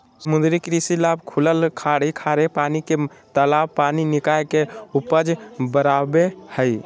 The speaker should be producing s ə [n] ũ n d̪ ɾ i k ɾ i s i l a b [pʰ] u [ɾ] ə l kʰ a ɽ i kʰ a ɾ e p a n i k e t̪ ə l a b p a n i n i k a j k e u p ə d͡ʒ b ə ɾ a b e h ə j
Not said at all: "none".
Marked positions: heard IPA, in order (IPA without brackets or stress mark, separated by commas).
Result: m, kʰ, l